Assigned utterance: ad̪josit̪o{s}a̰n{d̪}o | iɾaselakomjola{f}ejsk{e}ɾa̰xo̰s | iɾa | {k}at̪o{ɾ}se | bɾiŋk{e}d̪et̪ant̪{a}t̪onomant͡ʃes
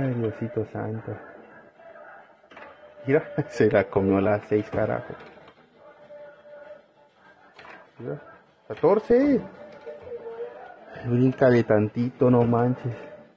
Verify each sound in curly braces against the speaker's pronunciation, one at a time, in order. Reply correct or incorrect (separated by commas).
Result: correct, incorrect, incorrect, incorrect, correct, correct, incorrect, incorrect